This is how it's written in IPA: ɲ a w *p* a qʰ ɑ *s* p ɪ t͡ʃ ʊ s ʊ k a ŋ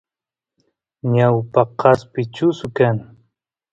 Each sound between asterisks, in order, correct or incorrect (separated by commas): correct, correct